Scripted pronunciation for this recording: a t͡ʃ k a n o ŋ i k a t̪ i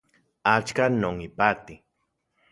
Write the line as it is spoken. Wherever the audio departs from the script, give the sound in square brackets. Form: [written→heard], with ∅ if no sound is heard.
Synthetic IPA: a t͡ʃ k a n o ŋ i [k→p] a t̪ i